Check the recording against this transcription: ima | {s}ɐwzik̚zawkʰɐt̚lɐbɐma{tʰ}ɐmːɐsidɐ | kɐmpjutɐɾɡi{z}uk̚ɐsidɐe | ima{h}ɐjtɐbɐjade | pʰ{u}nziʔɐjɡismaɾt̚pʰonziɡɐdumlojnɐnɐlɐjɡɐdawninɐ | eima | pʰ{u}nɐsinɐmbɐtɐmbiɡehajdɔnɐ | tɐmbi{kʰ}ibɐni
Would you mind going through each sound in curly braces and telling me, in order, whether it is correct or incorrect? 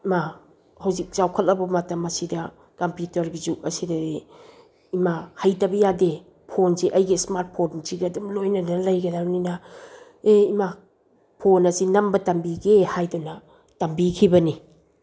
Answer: incorrect, incorrect, correct, correct, incorrect, incorrect, correct

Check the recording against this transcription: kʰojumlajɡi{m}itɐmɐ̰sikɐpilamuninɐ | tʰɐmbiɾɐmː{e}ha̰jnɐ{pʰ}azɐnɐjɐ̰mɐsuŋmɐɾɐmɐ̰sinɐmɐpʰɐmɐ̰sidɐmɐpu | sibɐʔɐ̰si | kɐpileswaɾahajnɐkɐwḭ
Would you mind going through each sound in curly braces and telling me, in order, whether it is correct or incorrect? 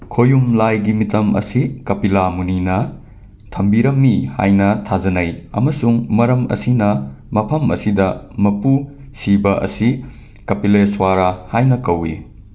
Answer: correct, incorrect, incorrect

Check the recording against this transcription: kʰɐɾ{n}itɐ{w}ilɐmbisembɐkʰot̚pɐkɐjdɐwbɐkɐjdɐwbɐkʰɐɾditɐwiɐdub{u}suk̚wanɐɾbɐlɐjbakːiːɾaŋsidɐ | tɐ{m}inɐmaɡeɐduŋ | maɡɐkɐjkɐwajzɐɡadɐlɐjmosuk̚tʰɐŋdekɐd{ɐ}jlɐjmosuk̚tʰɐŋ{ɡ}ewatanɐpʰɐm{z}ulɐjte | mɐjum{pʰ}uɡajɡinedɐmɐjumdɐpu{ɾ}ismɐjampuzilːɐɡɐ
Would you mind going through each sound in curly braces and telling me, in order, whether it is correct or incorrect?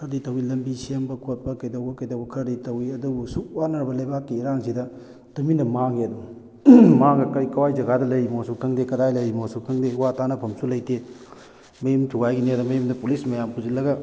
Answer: incorrect, correct, correct, correct, incorrect, incorrect, incorrect, incorrect, incorrect

